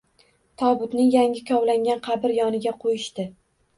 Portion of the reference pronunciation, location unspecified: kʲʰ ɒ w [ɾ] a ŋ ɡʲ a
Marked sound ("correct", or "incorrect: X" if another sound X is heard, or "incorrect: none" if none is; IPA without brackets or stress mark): incorrect: l